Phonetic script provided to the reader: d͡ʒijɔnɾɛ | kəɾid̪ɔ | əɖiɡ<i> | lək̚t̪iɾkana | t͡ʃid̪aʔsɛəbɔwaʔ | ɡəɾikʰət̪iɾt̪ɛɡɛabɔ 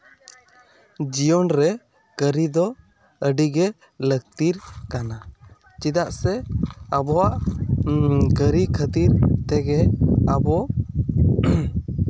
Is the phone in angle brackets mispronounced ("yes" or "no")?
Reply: yes